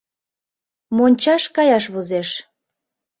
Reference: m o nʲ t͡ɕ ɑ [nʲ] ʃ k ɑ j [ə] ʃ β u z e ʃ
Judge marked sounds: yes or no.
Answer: no, no

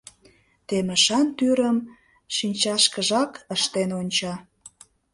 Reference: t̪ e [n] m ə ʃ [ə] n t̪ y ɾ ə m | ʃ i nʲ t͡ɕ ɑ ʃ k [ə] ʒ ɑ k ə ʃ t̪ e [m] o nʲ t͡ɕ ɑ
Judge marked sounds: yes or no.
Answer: no, no, yes, no

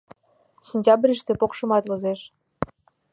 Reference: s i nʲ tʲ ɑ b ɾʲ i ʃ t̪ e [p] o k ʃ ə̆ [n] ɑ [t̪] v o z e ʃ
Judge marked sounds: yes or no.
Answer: yes, no, yes

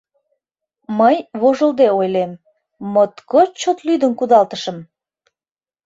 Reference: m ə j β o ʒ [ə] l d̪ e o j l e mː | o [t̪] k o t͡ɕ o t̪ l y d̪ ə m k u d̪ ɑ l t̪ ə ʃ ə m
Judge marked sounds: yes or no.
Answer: yes, yes

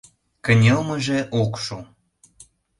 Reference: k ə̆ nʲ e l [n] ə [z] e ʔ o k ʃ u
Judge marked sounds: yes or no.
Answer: no, no

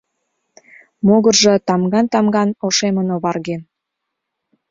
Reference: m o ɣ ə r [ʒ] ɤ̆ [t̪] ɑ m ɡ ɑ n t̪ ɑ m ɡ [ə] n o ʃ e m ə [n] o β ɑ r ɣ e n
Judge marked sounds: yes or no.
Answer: yes, yes, no, yes

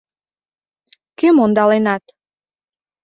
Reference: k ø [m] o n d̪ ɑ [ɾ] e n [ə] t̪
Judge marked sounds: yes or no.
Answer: yes, no, no

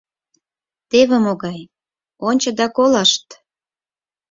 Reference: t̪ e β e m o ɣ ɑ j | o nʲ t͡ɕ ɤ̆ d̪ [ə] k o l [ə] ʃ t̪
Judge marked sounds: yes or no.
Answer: no, no

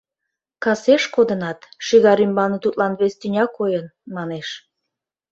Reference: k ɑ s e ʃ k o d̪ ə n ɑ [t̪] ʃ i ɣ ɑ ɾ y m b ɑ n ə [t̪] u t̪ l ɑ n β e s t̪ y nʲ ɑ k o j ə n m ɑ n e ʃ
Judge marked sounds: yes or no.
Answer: yes, yes

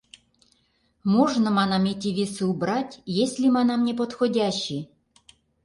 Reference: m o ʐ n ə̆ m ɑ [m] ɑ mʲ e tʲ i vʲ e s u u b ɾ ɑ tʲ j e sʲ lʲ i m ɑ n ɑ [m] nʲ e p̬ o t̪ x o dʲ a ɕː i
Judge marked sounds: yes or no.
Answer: no, yes

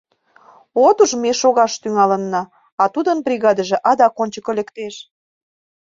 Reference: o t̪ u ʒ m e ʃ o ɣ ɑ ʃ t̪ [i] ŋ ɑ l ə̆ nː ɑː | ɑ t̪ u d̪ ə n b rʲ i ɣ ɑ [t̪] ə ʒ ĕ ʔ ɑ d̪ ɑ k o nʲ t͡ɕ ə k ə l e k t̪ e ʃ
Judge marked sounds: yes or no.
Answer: no, no

